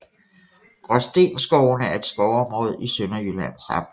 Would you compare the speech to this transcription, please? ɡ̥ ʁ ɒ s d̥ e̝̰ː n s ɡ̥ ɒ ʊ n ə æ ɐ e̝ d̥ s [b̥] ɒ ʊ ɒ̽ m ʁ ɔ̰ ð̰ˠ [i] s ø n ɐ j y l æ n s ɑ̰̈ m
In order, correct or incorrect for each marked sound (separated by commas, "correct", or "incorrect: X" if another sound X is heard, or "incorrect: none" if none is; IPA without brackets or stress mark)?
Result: incorrect: ɡ̥, correct